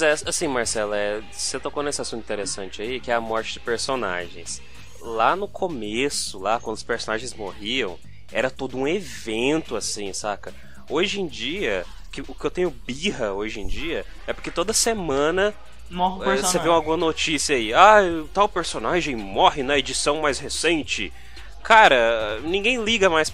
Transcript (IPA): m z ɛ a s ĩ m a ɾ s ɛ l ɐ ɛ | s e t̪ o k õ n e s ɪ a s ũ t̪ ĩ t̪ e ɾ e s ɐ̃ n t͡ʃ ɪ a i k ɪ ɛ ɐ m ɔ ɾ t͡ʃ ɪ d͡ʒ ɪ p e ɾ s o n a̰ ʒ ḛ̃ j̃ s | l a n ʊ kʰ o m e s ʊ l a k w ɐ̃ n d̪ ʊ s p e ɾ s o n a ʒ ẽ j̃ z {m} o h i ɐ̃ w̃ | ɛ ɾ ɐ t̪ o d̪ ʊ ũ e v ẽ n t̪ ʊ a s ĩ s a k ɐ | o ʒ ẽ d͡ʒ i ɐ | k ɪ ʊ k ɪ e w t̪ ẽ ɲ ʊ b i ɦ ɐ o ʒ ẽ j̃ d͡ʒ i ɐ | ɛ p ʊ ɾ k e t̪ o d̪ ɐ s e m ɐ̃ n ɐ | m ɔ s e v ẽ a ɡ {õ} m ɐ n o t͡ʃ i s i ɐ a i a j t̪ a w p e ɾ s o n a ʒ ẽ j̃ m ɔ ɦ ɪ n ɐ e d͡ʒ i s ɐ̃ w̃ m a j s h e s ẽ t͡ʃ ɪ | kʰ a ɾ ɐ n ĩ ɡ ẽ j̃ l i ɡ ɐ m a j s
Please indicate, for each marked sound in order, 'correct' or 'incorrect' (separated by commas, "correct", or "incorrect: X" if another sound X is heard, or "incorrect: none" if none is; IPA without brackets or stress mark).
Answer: correct, incorrect: ũ